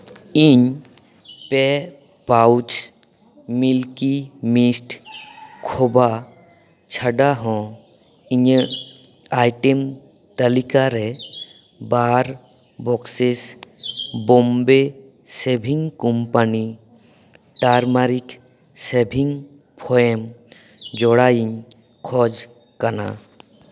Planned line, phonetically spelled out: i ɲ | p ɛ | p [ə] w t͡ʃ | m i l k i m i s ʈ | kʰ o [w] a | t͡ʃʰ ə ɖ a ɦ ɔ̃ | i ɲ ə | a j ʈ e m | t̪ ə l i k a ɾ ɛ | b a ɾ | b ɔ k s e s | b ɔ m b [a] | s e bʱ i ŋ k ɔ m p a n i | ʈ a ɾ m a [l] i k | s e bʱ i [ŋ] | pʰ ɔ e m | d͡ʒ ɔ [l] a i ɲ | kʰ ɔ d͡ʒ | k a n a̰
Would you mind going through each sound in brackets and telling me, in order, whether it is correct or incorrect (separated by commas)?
incorrect, incorrect, incorrect, incorrect, correct, incorrect